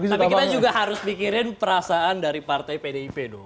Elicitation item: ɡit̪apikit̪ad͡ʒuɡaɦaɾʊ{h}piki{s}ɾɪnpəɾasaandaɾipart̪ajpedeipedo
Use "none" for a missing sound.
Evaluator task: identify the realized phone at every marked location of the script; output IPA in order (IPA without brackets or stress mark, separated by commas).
s, none